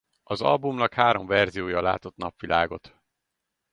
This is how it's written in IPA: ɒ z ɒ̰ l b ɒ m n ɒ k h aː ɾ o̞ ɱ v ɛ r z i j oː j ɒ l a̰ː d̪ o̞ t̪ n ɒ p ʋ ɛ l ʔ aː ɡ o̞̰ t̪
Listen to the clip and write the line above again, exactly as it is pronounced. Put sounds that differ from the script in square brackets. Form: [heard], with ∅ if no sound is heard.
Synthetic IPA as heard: ɒ z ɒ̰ l b [u] m n ɒ k h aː ɾ o̞ ɱ v ɛ r z i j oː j ɒ l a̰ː [t̪] o̞ t̪ n ɒ p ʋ [i] l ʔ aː ɡ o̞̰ t̪